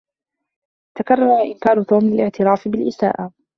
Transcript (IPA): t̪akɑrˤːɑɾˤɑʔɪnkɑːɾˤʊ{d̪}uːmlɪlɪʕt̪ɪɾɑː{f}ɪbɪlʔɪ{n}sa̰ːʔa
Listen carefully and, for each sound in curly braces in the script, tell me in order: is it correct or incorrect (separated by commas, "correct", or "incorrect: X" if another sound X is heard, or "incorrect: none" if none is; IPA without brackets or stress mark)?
incorrect: t̪, correct, incorrect: none